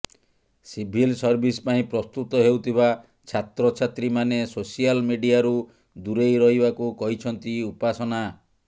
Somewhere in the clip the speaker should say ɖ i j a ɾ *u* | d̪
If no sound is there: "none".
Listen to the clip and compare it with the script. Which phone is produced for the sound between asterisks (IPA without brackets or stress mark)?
u